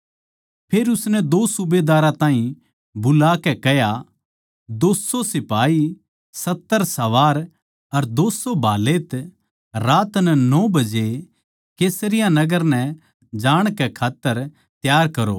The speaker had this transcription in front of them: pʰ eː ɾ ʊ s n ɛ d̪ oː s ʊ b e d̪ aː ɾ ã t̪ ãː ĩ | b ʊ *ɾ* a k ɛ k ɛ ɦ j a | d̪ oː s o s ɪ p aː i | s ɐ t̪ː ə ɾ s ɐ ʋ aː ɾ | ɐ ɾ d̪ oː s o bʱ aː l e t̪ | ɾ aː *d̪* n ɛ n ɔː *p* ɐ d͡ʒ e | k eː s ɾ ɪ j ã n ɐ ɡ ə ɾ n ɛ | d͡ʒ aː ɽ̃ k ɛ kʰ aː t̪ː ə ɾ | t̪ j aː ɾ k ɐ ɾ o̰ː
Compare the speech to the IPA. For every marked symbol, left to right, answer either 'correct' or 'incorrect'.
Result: incorrect, incorrect, incorrect

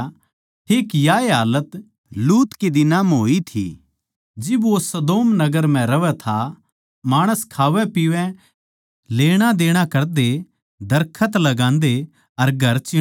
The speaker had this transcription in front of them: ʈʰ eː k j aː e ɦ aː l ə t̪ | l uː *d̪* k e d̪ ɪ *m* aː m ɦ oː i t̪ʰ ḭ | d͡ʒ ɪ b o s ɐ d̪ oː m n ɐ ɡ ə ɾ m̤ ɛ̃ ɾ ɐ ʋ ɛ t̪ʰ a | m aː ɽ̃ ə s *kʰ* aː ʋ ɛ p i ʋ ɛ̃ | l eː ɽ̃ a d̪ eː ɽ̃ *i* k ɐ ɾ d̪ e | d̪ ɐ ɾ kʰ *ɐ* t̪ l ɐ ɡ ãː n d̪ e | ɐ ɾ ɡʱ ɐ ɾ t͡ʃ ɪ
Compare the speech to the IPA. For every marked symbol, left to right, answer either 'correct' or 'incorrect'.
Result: incorrect, incorrect, correct, incorrect, incorrect

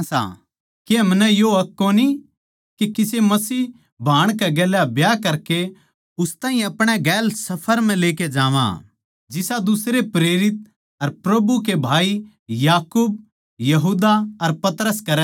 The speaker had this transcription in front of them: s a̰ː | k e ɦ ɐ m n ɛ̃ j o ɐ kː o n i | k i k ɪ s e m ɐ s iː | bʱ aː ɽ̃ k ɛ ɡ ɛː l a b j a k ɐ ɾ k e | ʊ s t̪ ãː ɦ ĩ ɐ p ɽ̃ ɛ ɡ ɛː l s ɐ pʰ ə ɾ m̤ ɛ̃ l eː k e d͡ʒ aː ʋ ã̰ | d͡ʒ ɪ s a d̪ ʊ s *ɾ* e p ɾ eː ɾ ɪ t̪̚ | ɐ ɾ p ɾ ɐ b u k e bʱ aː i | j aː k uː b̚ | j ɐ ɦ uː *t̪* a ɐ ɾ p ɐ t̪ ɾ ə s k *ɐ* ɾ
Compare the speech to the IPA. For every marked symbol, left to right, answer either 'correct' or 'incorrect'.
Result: correct, incorrect, correct

